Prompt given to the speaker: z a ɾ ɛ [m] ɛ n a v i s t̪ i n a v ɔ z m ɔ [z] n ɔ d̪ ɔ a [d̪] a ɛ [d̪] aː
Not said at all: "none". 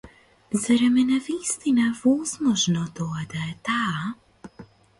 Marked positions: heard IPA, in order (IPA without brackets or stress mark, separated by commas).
m, ʒ, d̪, t̪